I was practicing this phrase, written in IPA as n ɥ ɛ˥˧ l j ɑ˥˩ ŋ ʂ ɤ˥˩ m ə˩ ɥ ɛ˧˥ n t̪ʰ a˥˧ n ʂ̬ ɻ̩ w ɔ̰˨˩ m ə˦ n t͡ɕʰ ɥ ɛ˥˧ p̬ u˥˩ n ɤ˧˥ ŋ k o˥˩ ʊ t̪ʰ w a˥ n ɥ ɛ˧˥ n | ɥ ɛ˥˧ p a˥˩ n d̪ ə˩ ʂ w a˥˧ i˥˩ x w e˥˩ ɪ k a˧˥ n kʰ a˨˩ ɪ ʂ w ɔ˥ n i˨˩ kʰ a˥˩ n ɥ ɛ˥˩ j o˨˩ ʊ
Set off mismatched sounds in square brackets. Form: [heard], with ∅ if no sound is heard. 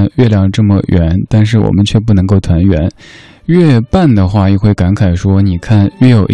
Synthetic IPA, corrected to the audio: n ɥ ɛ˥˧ l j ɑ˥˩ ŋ [ʈ͡ʂ] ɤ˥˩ m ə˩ ɥ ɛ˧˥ n [t̪] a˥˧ n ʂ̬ ɻ̩ w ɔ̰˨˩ m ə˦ n t͡ɕʰ ɥ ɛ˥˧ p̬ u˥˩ n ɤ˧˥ ŋ k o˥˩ ʊ t̪ʰ w [a˧˥] n ɥ ɛ˧˥ n | ɥ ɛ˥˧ p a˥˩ n d̪ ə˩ [x] w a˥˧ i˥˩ x w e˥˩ ɪ k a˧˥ n kʰ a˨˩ ɪ ʂ w ɔ˥ n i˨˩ kʰ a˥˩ n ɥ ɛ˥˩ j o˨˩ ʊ